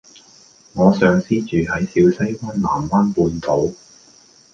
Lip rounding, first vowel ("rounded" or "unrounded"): rounded